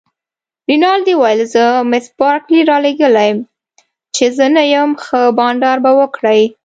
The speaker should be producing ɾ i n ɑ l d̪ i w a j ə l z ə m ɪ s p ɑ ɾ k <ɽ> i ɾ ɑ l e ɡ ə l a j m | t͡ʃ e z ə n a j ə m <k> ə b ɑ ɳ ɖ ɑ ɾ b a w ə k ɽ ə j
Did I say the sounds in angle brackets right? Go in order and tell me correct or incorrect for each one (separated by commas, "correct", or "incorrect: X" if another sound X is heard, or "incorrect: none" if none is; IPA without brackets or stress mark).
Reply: incorrect: l, incorrect: x